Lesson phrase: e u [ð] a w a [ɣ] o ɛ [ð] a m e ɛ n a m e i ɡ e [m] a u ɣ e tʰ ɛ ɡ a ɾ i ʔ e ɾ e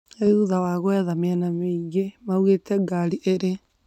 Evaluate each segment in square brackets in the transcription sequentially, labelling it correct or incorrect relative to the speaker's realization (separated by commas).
correct, correct, correct, correct